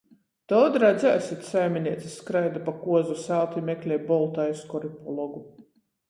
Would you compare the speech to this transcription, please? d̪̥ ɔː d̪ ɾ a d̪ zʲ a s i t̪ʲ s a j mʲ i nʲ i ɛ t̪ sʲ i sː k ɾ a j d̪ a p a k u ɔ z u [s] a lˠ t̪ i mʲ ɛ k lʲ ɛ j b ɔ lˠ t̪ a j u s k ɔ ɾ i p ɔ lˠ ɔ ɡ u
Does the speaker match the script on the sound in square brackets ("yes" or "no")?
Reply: yes